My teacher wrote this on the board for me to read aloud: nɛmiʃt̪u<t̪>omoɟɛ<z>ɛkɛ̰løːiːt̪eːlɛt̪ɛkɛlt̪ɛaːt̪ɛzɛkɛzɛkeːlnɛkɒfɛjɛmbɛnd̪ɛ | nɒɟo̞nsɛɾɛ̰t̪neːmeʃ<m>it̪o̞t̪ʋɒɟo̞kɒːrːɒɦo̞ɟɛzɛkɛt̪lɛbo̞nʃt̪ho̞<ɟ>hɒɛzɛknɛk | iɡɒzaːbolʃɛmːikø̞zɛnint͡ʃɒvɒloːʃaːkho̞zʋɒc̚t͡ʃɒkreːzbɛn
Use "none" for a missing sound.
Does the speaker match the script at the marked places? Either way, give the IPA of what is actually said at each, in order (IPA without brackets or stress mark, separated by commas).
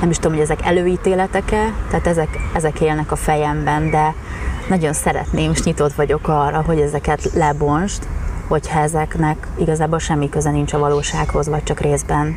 d̪, z, ɲ, c